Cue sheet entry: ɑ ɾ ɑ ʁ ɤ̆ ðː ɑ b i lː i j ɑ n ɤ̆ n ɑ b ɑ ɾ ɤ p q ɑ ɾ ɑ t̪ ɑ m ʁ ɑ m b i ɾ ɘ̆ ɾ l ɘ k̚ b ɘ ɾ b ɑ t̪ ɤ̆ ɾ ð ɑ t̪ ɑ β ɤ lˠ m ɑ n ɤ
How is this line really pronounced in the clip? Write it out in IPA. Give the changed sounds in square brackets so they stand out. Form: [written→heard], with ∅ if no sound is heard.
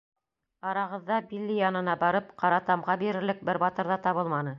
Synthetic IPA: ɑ ɾ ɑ ʁ ɤ̆ ðː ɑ b i lː i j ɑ n ɤ̆ n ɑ b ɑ ɾ ɤ p q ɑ ɾ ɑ t̪ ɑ m ʁ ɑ [m→∅] b i ɾ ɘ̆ ɾ l ɘ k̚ b ɘ ɾ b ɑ t̪ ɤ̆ ɾ ð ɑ t̪ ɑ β ɤ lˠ m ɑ n ɤ